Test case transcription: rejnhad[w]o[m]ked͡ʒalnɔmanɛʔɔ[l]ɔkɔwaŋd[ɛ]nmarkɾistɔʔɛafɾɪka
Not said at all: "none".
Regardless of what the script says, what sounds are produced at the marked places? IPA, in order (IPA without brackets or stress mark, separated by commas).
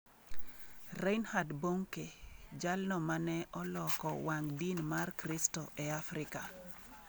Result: b, ŋ, l, i